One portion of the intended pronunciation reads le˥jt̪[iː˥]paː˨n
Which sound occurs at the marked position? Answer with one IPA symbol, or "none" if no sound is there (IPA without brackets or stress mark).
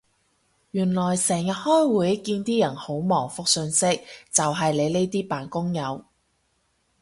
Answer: iː˥